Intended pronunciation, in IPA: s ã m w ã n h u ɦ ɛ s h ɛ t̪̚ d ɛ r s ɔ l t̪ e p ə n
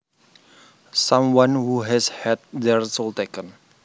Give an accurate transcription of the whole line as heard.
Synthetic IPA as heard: s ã m w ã n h u ɦ ɛ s h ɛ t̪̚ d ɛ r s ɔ l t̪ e k ə n